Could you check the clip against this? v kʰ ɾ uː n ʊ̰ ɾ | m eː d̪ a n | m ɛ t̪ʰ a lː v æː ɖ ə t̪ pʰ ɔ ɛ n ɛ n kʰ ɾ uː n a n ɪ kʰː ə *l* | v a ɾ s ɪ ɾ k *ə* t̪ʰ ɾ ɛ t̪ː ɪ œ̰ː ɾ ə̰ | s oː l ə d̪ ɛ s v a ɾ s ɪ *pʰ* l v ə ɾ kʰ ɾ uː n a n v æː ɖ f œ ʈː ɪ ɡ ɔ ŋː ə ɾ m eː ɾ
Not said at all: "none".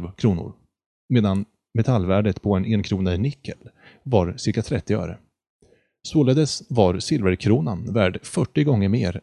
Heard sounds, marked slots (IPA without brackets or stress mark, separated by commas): l, a, none